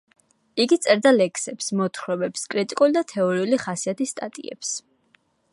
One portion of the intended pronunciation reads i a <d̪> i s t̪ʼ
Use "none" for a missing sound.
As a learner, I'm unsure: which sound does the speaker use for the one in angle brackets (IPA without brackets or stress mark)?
t̪